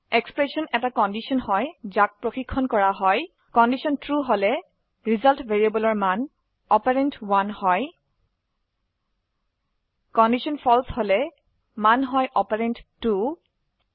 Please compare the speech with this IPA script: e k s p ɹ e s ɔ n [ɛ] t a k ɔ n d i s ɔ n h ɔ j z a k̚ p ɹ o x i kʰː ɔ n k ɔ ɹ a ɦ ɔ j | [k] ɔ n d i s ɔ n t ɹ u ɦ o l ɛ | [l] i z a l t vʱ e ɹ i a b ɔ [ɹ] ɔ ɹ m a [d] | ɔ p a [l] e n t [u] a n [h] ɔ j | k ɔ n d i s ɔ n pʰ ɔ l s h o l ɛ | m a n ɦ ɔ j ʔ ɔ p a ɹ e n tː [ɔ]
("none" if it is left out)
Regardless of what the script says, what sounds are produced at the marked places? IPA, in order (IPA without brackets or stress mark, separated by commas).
ɛ, k, ɹ, l, n, ɹ, w, h, u